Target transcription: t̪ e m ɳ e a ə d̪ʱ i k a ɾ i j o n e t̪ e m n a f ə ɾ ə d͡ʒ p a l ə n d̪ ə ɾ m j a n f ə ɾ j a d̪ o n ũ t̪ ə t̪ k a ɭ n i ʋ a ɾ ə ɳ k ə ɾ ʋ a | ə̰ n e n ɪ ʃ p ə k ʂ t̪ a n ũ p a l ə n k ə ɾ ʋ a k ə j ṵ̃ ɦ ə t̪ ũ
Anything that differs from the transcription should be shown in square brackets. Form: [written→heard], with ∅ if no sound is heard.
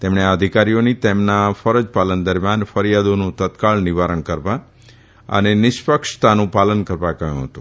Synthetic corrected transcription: t̪ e m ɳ e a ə d̪ʱ i k a ɾ i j o n [e→i] t̪ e m n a f ə ɾ ə d͡ʒ p a l ə n d̪ ə ɾ m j a n f ə ɾ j a d̪ o n ũ t̪ ə t̪ k a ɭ n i ʋ a ɾ ə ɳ k ə ɾ ʋ a | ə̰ n e n ɪ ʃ p ə k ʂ t̪ a n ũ p a l ə n k ə ɾ ʋ a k ə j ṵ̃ ɦ ə t̪ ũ